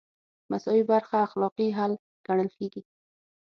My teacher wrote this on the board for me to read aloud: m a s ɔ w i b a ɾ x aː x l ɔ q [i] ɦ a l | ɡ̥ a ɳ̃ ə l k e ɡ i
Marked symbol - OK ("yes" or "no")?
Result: yes